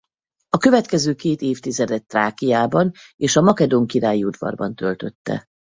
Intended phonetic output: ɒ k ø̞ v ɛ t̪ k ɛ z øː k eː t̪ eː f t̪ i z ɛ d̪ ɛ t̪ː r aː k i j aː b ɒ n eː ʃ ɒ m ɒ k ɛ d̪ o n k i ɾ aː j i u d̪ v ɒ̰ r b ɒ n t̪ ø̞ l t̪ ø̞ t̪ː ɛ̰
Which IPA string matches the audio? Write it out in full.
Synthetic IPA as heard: ɒ k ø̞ v ɛ t̪ k ɛ z øː k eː t̪ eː f t̪ i z ɛ d̪ ɛ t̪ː r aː k i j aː b ɒ n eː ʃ ɒ m ɒ k ɛ d̪ o ŋ k i ɾ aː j i u d̪ v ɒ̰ r b ɒ n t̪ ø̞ l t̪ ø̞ t̪ː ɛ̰

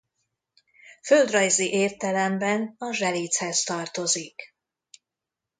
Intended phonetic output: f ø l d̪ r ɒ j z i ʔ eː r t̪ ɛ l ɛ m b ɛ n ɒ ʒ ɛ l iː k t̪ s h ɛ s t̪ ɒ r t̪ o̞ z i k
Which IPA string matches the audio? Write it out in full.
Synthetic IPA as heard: f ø l d̪ r ɒ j z i ʔ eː r t̪ ɛ l ɛ m b ɛ n ɒ ʒ ɛ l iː t̪ s h ɛ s t̪ ɒ r t̪ o̞ z i k

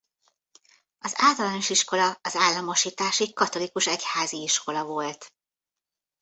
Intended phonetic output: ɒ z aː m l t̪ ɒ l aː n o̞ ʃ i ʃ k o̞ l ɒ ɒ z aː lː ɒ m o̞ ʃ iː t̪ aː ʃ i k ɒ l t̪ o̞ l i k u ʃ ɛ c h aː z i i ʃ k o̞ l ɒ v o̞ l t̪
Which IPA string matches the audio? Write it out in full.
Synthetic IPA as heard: ɒ z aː l t̪ ɒ l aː n o̞ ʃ i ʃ k o̞ l ɒ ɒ z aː lː ɒ m o̞ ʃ iː t̪ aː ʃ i k ɒ t̪ o̞ l i k u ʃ ɛ c h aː z i i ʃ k o̞ l ɒ v o̞ l t̪

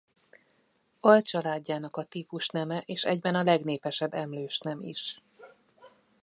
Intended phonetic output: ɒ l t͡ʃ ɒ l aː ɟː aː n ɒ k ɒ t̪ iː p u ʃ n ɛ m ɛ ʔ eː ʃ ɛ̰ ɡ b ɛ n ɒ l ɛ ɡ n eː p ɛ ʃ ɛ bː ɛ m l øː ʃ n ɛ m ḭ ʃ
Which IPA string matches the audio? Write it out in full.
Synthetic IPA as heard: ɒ l t͡ʃ ɒ l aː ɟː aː n ɒ k ɒ t̪ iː p u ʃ n ɛ m ɛ ʔ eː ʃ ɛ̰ ɟ b ɛ n ɒ l ɛ ɡ n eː p ɛ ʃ ɛ bː ɛ m l øː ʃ n ɛ m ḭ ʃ

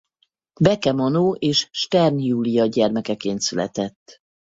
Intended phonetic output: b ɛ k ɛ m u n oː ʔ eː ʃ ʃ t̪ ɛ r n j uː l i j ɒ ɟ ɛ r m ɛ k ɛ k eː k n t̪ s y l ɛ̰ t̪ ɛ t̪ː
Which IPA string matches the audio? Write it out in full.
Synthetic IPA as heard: b ɛ k ɛ m ɒ n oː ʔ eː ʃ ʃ t̪ ɛ r n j uː l i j ɒ ɟ ɛ r m ɛ k ɛ k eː n t̪ s y l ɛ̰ t̪ ɛ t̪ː

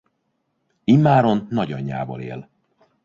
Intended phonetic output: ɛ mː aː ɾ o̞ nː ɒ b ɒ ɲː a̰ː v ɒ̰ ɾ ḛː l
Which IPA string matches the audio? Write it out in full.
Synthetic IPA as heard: i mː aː ɾ o̞ nː ɒ ɟ ɒ ɲː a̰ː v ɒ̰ l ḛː l

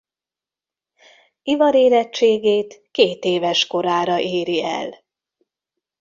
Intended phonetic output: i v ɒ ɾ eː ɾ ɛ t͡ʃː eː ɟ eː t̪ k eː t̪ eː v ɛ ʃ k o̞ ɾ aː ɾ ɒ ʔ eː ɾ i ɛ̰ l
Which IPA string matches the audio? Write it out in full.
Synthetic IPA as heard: i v ɒ ɾ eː ɾ ɛ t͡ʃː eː ɡ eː t̪ k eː t̪ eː v ɛ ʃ k o̞ ɾ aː ɾ ɒ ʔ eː ɾ i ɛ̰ l

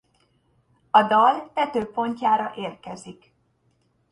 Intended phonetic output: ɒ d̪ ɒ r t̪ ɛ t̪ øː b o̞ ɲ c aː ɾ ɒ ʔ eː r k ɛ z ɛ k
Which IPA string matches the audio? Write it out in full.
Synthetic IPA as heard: ɒ d̪ ɒ l t̪ ɛ t̪ øː p o̞ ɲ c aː ɾ ɒ ʔ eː r k ɛ z i k

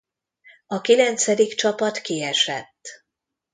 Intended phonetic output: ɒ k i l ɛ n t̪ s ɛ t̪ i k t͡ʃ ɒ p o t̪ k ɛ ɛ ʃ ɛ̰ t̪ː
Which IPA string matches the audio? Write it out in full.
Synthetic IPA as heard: ɒ k i l ɛ n t̪ s ɛ d̪ i k t͡ʃ ɒ p ɒ t̪ k i ɛ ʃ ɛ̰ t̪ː

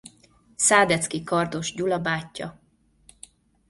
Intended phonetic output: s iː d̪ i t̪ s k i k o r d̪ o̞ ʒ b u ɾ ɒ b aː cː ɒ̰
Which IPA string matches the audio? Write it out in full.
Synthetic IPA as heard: s aː d̪ ɛ t̪ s k i k ɒ r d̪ o̞ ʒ ɟ u l ɒ b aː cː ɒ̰

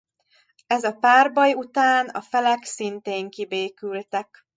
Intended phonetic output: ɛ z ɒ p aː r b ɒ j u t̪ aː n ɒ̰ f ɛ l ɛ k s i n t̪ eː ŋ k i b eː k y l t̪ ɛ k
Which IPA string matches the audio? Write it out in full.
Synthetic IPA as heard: ɛ z ɒ p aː r b ɒ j u t̪ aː n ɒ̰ f ɛ l ɛ k s i n t̪ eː ŋ k i b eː k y l t̪ ɛ k

